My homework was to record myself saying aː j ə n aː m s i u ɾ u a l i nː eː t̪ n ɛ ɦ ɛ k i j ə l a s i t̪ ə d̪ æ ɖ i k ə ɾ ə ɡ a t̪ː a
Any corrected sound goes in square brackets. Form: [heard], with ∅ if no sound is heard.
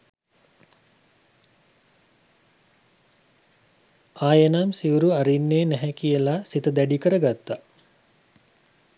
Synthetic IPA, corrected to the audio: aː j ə n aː m s i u ɾ u a [ɾ] i nː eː [∅] n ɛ ɦ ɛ k i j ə l a s i t̪ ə d̪ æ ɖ i k ə ɾ ə ɡ a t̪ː a